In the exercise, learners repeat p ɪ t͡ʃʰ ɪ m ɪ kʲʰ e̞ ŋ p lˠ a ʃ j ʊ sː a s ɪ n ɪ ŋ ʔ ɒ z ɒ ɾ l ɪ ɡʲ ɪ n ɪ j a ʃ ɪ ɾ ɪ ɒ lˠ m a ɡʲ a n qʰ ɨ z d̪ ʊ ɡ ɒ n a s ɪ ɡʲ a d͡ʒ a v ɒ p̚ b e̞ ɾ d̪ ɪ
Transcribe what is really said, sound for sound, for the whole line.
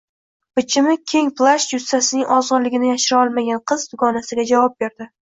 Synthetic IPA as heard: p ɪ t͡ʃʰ ɪ m ɪ kʲʰ e̞ ŋ p lˠ a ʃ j ʊ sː a s ɪ n ɪ ŋ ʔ ɒ z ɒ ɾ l ɪ ɡʲ ɪ n ɪ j a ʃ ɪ ɾ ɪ ɒ lˠ m a ɡʲ a n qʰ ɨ z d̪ ʊ ɡ ɒ n a s ɪ ɡʲ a d͡ʒ a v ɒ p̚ b e̞ ɾ d̪ ɪ